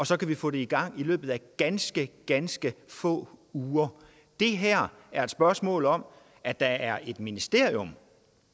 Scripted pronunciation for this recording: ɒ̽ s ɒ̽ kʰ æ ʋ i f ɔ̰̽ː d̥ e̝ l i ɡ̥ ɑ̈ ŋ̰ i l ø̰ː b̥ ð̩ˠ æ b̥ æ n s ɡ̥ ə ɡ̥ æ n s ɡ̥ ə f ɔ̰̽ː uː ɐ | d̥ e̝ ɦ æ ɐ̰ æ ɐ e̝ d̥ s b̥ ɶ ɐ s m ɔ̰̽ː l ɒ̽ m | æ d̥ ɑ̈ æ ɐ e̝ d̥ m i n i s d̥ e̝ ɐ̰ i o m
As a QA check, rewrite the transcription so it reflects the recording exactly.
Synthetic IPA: ɒ̽ s ɒ̽ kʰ æ ʋ i f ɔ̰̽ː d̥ e̝ i ɡ̥ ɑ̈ ŋ̰ i l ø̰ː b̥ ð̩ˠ æ ɡ̥ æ n s ɡ̥ ə ɡ̥ æ n s ɡ̥ ə f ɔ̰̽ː uː ɐ | d̥ e̝ ɦ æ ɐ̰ æ ɐ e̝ d̥ s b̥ ɶ ɐ s m ɔ̰̽ː l ɒ̽ m | æ d̥ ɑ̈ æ ɐ e̝ d̥ m i n i s d̥ e̝ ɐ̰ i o m